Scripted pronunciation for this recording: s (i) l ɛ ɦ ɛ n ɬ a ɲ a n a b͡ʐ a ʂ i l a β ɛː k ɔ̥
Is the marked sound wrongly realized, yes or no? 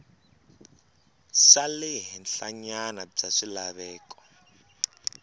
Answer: yes